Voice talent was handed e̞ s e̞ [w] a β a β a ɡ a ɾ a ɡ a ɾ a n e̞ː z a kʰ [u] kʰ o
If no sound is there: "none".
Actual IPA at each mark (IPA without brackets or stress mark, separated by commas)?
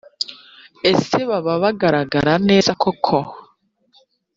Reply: β, o